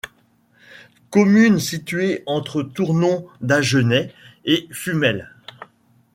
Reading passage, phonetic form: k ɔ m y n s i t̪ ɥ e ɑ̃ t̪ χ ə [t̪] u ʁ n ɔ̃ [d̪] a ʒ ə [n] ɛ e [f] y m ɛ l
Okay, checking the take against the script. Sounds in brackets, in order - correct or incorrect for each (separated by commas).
correct, correct, correct, correct